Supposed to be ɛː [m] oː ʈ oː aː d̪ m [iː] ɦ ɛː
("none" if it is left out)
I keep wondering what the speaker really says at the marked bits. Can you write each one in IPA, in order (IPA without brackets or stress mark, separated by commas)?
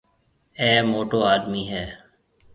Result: m, iː